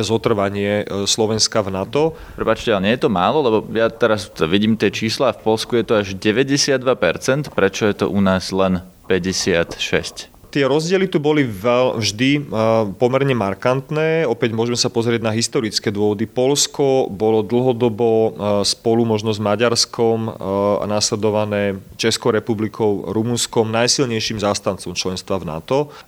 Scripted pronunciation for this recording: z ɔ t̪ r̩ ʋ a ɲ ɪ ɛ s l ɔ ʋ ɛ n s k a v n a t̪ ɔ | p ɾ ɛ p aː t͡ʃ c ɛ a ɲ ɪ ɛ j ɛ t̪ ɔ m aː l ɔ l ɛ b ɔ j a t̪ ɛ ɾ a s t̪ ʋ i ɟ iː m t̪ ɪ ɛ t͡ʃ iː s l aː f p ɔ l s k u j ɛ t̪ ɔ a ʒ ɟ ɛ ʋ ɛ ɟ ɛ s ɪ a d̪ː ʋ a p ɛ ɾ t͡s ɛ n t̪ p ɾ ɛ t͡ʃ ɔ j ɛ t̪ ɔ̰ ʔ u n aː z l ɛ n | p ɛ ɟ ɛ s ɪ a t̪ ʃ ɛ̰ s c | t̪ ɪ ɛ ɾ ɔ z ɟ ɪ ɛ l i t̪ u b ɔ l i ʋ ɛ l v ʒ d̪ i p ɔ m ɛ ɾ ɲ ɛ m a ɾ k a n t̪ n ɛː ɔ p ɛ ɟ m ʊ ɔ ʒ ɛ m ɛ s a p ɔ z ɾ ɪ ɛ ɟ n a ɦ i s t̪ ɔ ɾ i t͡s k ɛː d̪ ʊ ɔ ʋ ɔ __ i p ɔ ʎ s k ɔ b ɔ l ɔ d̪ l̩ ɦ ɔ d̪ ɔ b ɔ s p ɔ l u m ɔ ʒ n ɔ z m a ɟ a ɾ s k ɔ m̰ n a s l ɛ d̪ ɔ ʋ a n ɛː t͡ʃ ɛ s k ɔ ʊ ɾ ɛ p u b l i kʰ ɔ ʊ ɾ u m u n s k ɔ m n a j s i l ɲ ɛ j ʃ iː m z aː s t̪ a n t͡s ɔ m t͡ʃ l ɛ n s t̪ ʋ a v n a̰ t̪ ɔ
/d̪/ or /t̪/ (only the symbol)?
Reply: d̪